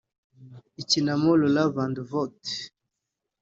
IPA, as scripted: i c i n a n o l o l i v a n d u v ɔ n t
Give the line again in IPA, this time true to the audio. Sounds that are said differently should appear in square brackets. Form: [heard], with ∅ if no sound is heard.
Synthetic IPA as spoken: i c i n a [m] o l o l [a] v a n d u v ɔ [∅] t